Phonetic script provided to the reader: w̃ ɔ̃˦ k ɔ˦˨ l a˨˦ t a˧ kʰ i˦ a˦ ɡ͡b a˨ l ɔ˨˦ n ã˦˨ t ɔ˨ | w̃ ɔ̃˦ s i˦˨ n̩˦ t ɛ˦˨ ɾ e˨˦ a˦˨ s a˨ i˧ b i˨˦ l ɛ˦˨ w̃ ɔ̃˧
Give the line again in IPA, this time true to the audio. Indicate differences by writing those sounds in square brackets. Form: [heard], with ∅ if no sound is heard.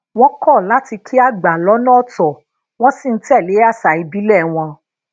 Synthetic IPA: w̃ ɔ̃˦ k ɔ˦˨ l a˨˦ t [i˧] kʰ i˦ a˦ ɡ͡b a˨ l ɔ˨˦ n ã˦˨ t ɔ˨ | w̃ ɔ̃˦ s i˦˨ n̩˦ t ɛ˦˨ [l] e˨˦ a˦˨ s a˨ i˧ b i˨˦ l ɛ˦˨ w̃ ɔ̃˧